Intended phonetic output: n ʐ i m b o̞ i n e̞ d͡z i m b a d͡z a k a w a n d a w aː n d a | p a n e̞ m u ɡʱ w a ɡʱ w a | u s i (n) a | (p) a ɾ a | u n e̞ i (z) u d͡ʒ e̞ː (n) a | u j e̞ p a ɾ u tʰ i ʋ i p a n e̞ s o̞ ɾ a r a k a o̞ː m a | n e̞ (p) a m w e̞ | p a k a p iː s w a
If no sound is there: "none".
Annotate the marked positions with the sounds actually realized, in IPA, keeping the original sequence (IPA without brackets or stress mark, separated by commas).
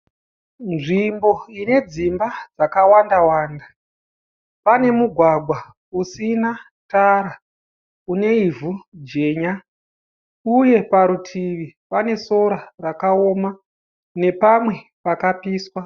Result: n, t, v, ɲ, p